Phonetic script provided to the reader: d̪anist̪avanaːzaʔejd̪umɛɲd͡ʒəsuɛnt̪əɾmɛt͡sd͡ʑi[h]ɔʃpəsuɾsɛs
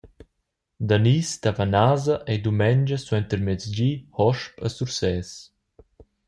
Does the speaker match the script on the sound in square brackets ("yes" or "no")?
yes